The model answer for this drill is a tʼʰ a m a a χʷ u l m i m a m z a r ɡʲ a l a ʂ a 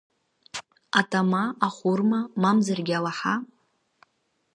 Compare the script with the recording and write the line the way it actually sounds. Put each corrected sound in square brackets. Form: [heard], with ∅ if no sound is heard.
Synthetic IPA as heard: a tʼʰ a m a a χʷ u [r] m [a] m a m z a r ɡʲ a l a [ħ] a